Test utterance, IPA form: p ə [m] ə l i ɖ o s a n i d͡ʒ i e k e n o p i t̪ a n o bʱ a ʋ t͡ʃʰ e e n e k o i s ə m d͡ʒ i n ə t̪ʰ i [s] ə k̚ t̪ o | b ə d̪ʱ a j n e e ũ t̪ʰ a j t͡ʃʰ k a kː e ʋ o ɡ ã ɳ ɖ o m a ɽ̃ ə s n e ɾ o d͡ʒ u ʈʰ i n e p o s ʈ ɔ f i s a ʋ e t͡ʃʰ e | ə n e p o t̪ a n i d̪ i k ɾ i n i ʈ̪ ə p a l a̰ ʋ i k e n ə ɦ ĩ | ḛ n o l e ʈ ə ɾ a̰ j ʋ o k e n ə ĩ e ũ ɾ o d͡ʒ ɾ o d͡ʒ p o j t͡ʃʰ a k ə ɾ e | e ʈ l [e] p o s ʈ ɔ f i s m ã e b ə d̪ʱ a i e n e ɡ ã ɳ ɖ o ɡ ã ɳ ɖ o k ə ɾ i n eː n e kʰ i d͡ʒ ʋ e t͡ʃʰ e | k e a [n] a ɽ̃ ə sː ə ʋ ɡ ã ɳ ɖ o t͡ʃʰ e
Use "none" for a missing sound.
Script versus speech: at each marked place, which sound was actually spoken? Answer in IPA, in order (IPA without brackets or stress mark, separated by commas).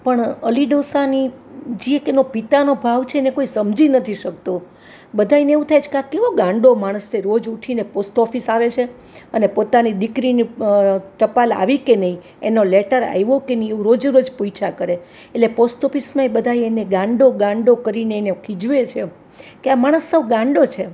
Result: ɳ, ʃ, e, m